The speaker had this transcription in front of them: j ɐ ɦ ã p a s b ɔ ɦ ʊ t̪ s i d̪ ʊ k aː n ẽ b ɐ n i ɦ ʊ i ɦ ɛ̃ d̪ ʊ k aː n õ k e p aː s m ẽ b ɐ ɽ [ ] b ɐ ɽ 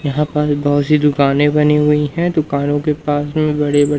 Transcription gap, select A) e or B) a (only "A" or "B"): A